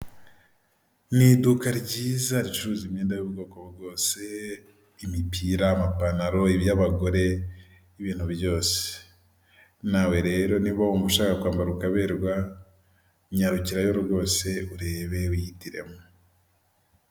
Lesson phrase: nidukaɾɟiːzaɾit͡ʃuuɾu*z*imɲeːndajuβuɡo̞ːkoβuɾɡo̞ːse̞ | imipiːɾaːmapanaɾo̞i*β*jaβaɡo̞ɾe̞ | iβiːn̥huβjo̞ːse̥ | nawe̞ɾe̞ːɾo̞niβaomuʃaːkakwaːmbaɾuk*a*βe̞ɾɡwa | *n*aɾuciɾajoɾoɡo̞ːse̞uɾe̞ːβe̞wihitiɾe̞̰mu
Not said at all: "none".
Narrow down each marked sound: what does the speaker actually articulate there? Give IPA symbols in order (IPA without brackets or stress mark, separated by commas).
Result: z, β, a, ɲ